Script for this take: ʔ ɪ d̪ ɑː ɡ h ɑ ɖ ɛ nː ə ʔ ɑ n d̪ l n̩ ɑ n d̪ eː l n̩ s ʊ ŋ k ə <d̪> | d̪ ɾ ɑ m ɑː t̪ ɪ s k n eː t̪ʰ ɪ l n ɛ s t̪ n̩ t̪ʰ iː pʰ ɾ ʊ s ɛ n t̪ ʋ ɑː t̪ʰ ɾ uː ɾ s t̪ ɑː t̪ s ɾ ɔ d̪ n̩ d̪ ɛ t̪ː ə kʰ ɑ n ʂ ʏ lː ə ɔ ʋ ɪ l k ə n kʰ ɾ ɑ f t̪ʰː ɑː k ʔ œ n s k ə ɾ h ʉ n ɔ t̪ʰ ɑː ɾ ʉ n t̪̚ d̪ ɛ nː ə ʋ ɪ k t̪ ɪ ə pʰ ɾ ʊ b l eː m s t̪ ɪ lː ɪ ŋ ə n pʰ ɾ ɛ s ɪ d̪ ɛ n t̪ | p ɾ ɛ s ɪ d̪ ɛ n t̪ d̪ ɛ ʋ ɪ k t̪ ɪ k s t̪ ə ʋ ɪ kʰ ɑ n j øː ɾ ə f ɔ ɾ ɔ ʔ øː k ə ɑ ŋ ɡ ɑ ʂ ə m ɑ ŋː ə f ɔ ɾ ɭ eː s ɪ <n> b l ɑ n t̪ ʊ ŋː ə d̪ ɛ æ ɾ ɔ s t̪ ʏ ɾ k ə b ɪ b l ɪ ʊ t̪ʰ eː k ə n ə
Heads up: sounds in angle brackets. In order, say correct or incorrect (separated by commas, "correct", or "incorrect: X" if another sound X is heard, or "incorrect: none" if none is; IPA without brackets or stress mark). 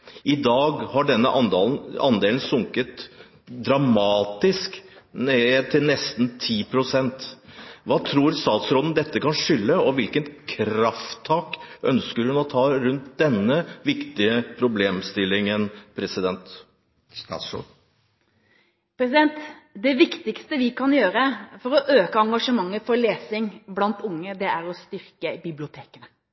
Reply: incorrect: t̪, incorrect: ŋ